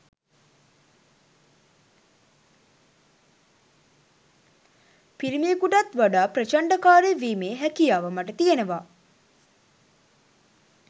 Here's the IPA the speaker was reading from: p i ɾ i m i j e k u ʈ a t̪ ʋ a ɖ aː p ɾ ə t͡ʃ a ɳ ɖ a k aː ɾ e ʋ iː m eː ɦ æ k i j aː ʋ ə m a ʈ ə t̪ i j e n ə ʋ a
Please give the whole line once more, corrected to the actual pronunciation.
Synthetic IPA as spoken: p i ɾ i m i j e k u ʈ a t̪ ʋ a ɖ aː p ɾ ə t͡ʃ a ɳ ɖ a k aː ɾ e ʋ iː m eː ɦ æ k i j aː ʋ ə m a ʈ ə t̪ i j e n ə ʋ a